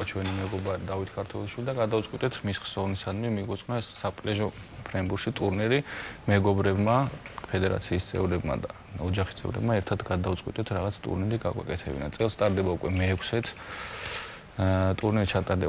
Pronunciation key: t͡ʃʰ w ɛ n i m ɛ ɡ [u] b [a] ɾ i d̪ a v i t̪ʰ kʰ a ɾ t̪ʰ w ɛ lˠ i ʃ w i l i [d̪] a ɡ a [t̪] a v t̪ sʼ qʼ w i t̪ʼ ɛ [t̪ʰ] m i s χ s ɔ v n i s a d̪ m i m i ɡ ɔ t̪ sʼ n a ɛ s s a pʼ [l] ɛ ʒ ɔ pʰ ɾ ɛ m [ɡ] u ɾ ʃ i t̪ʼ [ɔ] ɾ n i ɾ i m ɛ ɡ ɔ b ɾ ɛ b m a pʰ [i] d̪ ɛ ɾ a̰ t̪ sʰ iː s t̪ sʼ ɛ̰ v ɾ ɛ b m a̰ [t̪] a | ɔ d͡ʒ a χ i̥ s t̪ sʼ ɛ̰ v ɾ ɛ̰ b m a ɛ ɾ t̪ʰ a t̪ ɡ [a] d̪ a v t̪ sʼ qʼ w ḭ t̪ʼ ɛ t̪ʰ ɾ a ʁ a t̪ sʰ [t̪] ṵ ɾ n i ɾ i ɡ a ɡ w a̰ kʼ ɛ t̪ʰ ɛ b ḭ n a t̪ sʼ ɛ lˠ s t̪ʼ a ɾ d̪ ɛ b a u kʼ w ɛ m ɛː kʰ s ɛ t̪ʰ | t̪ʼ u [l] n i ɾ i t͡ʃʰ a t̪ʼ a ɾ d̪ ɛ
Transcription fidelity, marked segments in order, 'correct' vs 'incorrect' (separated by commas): incorrect, correct, correct, incorrect, correct, correct, incorrect, incorrect, incorrect, incorrect, correct, incorrect, incorrect